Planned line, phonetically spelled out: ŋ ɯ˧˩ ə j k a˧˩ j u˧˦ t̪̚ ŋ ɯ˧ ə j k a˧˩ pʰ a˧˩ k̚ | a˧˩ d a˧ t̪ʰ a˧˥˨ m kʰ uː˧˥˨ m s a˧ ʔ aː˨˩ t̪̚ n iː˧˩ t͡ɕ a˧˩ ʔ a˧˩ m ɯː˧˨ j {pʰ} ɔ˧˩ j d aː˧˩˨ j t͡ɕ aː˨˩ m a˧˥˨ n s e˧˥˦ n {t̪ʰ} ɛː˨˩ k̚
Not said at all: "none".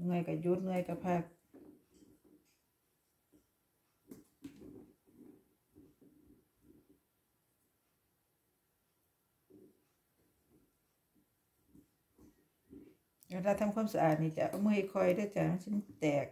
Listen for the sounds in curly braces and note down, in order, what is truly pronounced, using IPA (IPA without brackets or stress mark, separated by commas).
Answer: kʰ, t̪